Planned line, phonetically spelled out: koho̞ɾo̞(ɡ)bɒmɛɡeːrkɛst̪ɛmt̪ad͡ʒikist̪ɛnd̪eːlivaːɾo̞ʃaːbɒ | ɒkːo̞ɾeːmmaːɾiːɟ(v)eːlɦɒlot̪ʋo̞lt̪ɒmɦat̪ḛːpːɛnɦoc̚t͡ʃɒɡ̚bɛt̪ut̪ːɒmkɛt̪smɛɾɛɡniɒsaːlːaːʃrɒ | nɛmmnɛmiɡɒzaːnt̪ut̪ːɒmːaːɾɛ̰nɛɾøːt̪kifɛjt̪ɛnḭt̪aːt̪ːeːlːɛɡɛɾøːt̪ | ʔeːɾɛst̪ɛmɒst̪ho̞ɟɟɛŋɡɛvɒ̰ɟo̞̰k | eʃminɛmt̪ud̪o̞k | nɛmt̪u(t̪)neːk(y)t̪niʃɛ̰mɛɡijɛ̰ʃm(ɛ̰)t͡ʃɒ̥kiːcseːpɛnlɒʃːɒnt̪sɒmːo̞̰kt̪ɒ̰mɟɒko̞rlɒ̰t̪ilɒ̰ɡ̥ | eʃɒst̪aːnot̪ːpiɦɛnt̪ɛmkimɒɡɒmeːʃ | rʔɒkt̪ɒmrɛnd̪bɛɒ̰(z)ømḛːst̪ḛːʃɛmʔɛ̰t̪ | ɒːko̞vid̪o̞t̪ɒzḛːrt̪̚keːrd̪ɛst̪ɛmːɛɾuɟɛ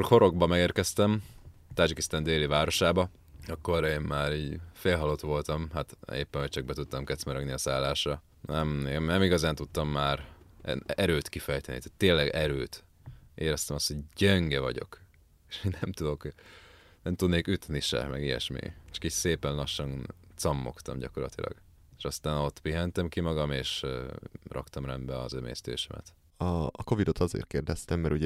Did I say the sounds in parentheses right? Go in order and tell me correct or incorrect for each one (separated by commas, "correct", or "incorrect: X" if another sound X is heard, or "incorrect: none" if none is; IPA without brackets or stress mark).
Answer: correct, incorrect: f, incorrect: d̪, correct, incorrect: ḭ, correct